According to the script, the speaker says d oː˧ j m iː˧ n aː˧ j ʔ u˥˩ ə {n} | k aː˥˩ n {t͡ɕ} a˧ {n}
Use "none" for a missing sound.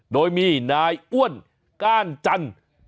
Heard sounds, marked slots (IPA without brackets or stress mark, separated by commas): n, t͡ɕ, n